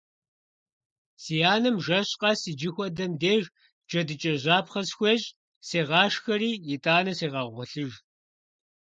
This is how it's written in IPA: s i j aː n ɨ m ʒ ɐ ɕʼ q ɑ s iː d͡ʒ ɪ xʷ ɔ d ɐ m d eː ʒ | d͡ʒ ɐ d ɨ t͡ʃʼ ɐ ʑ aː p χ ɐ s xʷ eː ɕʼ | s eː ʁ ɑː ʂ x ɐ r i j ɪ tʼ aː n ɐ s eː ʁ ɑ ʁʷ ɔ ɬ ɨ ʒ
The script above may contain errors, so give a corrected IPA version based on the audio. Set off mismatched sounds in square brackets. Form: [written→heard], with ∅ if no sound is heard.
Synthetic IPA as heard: s i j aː n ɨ m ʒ ɐ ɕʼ q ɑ s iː d͡ʒ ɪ xʷ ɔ d ɐ m d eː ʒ | d͡ʒ ɐ d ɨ t͡ʃʼ ɐ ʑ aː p χ ɐ s xʷ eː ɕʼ | s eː ʁ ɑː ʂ x ɐ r [i→iː] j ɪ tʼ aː n ɐ s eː ʁ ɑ ʁʷ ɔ ɬ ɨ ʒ